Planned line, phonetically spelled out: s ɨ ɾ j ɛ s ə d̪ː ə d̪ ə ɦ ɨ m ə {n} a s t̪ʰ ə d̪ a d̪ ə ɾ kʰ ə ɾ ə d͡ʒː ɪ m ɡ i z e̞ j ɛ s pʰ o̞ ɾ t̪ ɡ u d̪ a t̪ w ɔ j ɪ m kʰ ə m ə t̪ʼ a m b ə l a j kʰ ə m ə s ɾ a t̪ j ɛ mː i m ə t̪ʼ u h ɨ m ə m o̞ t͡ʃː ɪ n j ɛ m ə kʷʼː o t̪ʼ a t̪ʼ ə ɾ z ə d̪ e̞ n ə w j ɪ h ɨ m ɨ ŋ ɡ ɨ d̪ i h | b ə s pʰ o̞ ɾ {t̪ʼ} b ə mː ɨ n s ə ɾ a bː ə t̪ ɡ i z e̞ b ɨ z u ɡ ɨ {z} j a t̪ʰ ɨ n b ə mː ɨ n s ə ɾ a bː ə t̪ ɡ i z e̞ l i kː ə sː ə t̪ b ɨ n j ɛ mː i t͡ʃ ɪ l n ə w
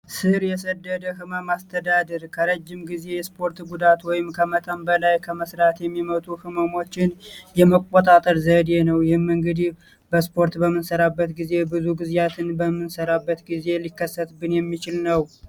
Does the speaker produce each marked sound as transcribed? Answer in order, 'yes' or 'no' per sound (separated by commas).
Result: no, no, yes